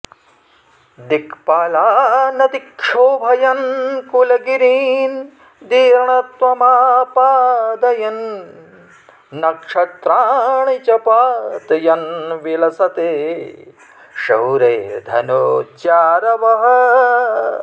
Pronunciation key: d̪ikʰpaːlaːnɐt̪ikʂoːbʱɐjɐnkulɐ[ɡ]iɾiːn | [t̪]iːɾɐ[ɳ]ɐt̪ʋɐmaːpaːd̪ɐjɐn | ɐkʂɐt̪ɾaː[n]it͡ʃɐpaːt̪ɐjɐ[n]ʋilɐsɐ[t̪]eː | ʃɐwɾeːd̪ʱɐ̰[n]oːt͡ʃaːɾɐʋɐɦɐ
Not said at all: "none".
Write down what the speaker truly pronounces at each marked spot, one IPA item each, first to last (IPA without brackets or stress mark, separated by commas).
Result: ɡ, d̪, ɳ, ɳ, n, t̪, n